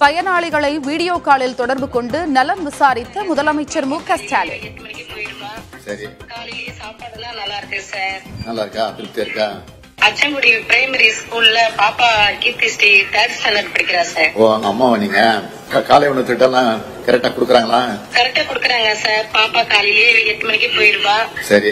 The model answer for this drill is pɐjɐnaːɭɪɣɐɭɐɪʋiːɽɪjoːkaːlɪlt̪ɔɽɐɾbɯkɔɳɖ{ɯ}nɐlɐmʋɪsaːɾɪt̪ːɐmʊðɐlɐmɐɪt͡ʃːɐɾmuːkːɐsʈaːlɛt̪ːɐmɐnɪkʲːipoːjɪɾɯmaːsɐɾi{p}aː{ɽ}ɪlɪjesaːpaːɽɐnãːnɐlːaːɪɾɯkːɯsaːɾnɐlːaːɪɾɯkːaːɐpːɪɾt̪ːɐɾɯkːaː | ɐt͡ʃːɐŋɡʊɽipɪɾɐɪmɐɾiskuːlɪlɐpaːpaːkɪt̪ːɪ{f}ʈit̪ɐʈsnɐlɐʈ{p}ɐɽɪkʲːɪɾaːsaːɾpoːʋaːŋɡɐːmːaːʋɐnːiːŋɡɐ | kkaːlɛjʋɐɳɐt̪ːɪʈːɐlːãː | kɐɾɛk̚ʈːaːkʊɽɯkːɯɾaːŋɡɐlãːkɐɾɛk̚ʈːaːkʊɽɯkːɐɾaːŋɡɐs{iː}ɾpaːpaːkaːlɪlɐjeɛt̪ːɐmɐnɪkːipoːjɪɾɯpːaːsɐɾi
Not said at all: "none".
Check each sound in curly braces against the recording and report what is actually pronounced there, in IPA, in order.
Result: ɯ, k, l, s, p, aː

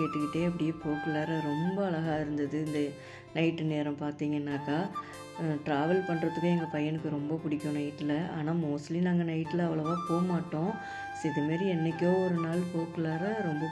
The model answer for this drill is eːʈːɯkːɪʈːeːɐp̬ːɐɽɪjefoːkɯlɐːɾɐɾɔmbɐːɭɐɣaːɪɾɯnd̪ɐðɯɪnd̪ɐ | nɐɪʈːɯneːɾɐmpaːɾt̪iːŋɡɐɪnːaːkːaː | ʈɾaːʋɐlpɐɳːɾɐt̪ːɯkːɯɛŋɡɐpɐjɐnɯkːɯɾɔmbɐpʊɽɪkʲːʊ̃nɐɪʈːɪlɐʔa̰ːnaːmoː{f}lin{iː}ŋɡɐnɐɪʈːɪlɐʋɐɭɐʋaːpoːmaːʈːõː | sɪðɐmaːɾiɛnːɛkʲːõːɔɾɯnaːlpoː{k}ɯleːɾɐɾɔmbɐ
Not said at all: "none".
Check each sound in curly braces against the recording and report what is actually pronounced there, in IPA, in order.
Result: s, aː, k

